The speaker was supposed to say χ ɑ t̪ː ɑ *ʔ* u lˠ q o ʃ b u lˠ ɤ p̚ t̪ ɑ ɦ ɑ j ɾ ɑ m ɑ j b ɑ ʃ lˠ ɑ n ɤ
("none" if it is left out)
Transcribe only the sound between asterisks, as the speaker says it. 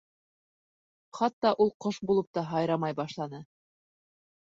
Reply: ʔ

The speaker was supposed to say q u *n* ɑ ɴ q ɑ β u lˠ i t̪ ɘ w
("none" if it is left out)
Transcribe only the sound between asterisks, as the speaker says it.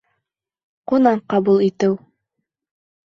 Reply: n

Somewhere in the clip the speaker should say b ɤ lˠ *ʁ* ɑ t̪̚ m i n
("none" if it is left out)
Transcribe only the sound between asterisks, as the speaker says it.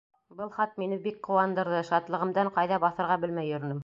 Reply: χ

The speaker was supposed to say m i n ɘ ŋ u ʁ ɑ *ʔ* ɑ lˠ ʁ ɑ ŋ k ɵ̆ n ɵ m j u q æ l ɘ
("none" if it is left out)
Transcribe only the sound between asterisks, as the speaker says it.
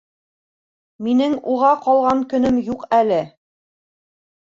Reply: q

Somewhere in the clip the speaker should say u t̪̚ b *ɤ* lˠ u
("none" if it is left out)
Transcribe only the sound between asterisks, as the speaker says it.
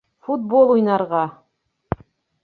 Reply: o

